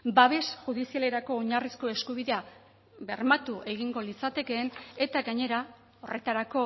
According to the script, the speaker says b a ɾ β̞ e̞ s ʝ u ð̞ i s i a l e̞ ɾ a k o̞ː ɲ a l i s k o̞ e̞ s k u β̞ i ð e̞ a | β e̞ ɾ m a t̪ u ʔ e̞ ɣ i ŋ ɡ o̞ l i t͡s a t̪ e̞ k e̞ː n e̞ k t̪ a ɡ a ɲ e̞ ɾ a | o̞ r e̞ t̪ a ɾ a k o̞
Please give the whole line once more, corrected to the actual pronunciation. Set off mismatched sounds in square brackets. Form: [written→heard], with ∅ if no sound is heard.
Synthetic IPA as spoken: b a [ɾ→∅] β̞ e̞ s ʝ u ð̞ i s i a l e̞ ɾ a k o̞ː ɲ a [l→r] i s k o̞ e̞ s k u β̞ i ð e̞ a | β e̞ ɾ m a t̪ u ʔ e̞ ɣ i ŋ ɡ o̞ l i t͡s a t̪ e̞ k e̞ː n e̞ [k→∅] t̪ a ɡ a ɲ e̞ ɾ a | o̞ r e̞ t̪ a ɾ a k o̞

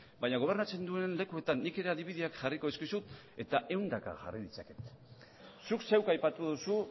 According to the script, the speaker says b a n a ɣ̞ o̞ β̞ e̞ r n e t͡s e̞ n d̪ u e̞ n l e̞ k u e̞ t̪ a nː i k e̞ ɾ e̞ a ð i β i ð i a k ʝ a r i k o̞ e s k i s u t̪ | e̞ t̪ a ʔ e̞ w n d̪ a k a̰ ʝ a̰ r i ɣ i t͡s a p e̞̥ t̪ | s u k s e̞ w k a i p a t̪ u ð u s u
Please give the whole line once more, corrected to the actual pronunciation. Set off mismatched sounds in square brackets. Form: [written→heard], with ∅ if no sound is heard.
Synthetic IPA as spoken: b a [n→ɲ] a ɣ̞ o̞ β̞ e̞ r n [e→a] t͡s e̞ n d̪ u e̞ n l e̞ k u e̞ t̪ a nː i k e̞ ɾ e̞ a ð i β i ð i a k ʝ a r i k o̞ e s k i s u t̪ | e̞ t̪ a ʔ e̞ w n d̪ a k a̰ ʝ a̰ r i [ɣ→ð] i t͡s a [p→k] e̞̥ t̪ | s u k s e̞ w k a [i→j] p a t̪ u ð u s u

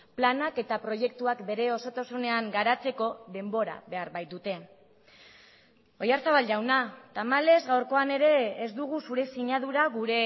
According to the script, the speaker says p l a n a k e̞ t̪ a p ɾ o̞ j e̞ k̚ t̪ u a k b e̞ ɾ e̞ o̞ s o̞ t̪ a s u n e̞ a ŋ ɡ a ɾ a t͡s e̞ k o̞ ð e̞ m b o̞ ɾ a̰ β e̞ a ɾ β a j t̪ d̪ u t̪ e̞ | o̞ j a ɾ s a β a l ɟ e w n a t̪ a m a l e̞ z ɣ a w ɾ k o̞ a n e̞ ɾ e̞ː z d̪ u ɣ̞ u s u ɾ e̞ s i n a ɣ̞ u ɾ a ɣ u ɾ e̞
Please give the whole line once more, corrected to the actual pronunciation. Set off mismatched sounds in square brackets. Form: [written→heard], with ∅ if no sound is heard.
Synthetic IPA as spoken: p l a n a k e̞ t̪ a p ɾ o̞ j e̞ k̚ t̪ u a k b e̞ ɾ e̞ o̞ s o̞ t̪ a s u n e̞ a ŋ ɡ a ɾ a t͡s e̞ k o̞ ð e̞ m b o̞ ɾ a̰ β e̞ a ɾ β a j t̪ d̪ u t̪ e̞ | o̞ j a ɾ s a β a l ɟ [e→a] w n a t̪ a m a l e̞ z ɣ a w ɾ k o̞ a n e̞ ɾ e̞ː z d̪ u ɣ̞ u s u ɾ e̞ s i [n→ɲ] a [ɣ̞→ð̞] u ɾ a ɣ u ɾ e̞

